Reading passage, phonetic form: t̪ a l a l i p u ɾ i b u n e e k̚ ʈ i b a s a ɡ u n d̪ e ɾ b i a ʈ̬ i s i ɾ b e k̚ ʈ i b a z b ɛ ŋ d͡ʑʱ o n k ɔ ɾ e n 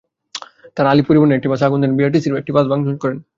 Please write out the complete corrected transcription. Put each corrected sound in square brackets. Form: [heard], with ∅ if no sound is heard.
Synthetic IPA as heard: t̪ a [ɾ] a l i p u ɾ i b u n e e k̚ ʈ i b a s a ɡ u n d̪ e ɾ b i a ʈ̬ i s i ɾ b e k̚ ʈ i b a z b [a] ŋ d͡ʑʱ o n k ɔ ɾ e n